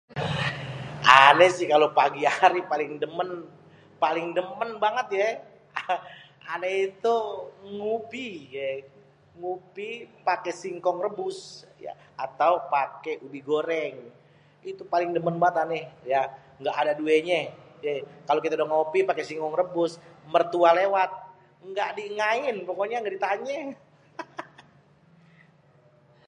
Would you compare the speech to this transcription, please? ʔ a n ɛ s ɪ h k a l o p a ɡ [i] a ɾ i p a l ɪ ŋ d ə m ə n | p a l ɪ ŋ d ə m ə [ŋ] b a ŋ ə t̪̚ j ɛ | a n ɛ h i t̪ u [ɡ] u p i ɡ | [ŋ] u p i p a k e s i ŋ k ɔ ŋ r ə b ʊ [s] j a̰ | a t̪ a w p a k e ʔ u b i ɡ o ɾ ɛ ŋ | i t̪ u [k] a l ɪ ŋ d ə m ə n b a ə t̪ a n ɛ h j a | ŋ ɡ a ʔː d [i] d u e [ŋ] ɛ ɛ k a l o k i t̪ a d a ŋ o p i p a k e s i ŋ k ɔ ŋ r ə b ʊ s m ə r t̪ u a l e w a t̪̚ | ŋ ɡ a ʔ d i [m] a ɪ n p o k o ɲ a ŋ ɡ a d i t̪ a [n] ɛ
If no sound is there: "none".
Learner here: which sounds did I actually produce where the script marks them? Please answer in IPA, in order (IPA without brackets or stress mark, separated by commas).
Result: i, n, ŋ, ŋ, s, p, a, ɲ, ŋ, ɲ